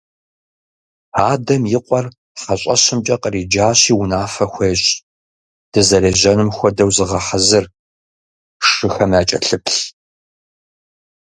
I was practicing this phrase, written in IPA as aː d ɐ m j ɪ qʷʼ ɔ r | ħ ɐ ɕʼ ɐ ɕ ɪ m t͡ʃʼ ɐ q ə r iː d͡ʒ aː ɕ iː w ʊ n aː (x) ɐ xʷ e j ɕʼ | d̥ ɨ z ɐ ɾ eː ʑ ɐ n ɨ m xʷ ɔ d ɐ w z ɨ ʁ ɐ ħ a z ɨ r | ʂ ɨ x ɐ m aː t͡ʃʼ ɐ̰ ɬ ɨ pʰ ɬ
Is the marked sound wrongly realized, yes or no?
yes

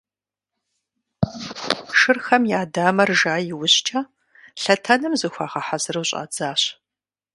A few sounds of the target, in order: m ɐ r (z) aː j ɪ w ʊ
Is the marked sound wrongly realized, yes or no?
yes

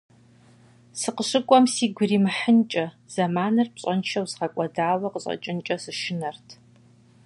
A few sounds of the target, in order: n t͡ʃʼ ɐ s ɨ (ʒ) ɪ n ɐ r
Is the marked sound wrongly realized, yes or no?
yes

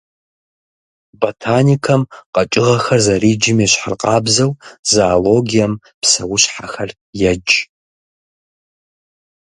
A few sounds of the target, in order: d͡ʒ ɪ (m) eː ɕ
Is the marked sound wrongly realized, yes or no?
no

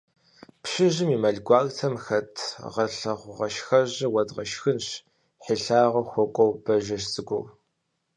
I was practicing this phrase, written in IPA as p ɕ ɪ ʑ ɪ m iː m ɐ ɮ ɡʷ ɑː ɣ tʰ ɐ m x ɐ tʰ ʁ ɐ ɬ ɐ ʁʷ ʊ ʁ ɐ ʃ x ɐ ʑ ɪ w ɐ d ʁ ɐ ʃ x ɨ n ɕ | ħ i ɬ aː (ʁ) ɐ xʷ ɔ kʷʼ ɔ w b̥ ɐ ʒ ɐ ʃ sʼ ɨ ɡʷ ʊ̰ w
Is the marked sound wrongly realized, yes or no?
no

